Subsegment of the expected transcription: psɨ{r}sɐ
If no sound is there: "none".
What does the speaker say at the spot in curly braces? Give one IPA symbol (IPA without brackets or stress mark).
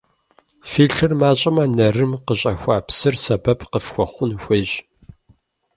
r